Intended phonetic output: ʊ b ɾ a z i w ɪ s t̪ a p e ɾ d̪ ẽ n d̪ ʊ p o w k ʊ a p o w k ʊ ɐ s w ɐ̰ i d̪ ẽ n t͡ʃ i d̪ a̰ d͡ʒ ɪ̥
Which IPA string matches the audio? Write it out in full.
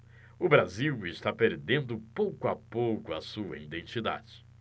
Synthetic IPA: ʊ b ɾ a z i w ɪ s t̪ a p e ɾ d̪ ẽ n d̪ ʊ p o w k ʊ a p o w k ʊ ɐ s u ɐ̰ i d̪ ẽ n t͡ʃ i d̪ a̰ d͡ʒ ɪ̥